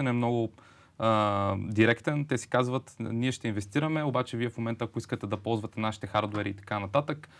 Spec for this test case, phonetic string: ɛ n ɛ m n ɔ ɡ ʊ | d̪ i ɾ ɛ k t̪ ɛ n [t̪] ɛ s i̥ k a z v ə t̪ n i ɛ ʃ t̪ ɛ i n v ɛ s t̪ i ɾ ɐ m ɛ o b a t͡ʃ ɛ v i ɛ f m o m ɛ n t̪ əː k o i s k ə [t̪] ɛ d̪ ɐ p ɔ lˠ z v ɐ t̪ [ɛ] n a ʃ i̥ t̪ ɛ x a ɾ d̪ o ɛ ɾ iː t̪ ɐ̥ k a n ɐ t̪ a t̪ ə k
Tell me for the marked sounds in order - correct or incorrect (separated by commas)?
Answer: correct, correct, correct